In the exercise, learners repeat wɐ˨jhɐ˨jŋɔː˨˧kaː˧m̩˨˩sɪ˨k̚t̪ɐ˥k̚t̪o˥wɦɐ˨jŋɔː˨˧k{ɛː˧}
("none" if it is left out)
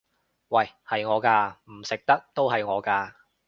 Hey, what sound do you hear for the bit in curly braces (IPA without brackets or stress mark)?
aː˧